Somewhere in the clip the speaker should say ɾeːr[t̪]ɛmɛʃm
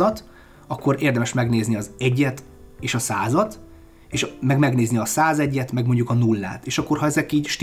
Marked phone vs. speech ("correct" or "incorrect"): incorrect